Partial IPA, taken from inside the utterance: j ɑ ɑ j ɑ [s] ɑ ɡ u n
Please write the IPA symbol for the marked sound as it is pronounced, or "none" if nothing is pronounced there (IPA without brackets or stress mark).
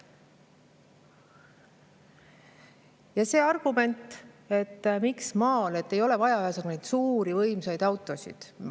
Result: s